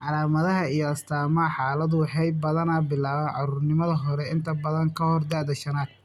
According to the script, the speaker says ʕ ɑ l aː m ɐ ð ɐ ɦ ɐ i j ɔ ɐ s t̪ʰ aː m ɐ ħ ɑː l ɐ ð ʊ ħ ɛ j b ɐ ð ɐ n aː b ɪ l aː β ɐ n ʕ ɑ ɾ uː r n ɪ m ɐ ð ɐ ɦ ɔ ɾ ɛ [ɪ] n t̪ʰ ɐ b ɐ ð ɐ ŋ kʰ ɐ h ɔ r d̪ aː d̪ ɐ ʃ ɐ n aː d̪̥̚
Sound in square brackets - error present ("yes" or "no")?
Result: no